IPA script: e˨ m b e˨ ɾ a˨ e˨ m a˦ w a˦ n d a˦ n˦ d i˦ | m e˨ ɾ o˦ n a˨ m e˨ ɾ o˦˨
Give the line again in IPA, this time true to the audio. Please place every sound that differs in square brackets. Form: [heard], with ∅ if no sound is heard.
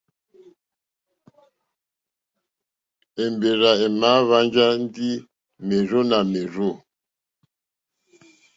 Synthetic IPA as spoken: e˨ m b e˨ ɾ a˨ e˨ m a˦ [β] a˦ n [d͡ʒ] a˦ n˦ d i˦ | m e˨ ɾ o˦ n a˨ m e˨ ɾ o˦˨